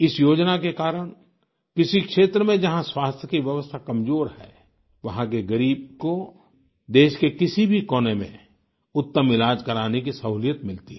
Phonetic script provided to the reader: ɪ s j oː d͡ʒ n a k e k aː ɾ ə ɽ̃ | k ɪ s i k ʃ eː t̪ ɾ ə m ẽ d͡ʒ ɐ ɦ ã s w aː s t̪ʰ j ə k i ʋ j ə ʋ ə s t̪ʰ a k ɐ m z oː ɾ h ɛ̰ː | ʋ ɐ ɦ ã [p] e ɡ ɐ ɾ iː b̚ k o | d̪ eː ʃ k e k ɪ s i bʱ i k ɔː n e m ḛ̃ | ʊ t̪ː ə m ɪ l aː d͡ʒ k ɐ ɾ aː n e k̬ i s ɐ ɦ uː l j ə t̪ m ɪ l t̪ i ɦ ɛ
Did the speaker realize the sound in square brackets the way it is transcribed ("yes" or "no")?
no